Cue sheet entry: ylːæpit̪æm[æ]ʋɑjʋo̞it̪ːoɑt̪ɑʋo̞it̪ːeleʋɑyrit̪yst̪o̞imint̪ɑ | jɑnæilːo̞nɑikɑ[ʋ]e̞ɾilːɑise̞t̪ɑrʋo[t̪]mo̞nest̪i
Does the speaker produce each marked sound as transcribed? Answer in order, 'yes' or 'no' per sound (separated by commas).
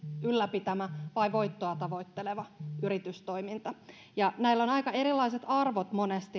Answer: yes, no, yes